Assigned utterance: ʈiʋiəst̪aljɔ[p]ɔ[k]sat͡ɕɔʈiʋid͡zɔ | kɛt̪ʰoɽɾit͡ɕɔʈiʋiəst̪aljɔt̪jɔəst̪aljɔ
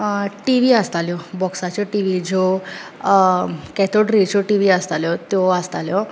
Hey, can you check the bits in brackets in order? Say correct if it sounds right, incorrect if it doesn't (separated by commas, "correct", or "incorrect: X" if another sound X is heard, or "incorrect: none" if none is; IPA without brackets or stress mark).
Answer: incorrect: b, correct